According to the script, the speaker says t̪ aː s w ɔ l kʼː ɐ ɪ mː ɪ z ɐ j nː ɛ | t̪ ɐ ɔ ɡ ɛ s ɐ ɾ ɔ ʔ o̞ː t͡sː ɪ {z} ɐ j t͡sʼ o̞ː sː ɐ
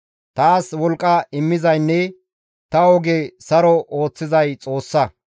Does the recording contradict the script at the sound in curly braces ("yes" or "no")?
no